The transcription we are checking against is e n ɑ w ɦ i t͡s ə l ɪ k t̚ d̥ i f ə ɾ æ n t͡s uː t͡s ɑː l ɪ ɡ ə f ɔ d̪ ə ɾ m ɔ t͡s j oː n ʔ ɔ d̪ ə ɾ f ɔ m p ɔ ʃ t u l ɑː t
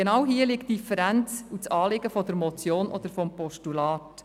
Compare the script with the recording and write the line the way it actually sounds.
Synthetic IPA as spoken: e n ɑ w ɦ i ə l ɪ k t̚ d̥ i f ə ɾ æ n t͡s u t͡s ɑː l ɪ ɡ ə f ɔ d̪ ə ɾ m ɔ t͡s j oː n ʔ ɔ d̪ ə ɾ f ɔ m p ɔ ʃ t u l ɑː t